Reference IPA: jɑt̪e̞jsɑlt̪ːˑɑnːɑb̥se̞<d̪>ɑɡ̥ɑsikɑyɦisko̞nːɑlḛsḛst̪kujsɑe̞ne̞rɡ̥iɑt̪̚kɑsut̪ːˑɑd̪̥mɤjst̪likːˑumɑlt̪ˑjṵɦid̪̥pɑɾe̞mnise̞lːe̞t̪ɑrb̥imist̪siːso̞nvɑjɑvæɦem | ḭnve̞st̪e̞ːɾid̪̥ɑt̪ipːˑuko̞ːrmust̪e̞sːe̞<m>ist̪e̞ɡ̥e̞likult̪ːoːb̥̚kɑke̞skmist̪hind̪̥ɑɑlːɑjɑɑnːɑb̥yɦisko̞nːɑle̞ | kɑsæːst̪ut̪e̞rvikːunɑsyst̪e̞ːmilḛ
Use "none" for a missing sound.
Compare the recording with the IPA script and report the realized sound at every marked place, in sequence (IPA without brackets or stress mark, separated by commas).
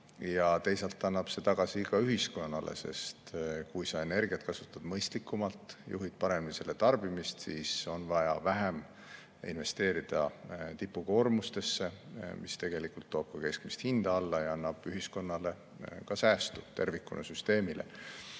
t̪, m